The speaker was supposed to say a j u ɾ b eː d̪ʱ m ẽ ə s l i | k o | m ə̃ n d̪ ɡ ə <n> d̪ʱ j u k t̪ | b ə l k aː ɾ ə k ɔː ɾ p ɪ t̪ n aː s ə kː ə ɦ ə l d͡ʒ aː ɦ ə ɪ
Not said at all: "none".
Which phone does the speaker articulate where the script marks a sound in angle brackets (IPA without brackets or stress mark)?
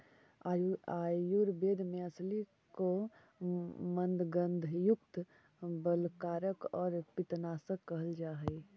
n